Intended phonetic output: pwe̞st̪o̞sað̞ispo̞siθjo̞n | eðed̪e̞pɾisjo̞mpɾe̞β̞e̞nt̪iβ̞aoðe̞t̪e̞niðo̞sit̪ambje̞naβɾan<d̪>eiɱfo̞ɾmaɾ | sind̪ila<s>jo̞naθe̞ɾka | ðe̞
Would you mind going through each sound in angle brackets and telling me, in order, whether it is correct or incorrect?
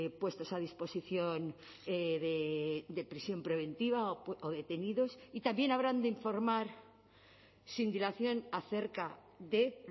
correct, incorrect

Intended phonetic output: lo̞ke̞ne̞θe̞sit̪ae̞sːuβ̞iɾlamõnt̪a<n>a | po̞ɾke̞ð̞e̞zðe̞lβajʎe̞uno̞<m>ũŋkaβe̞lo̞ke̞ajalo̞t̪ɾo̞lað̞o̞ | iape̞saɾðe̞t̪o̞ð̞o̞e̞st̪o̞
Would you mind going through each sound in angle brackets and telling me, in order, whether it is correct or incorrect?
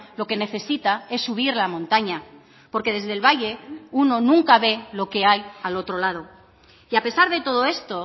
incorrect, incorrect

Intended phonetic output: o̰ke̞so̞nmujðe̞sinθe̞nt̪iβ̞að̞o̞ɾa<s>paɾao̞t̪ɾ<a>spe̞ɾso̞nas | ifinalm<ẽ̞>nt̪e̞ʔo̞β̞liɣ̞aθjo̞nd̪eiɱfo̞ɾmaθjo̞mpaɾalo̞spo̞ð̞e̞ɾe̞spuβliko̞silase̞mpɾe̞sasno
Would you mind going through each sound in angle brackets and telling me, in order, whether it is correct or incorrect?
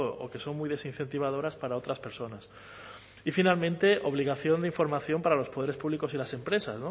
correct, correct, correct

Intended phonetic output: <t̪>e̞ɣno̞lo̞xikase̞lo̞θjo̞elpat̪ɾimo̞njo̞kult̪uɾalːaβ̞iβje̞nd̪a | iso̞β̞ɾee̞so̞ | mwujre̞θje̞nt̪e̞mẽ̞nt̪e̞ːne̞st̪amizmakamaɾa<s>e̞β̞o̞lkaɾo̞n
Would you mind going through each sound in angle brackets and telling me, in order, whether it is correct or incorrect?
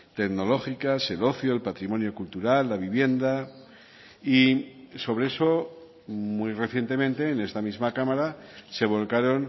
correct, correct

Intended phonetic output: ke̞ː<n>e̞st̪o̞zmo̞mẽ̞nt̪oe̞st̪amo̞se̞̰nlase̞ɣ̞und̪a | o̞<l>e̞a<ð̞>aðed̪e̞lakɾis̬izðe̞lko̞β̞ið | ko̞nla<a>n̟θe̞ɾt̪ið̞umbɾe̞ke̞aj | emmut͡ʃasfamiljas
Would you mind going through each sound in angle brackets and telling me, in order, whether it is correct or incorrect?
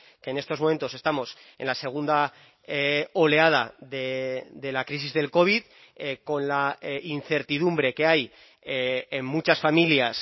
correct, correct, correct, incorrect

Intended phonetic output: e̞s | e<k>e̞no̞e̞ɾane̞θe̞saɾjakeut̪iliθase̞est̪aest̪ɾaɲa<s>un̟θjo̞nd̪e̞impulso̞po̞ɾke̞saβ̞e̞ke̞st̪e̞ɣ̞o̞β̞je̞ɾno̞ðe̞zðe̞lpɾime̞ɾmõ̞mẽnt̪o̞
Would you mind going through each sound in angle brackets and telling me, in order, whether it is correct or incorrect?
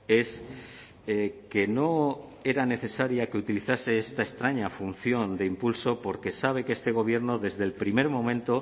correct, incorrect

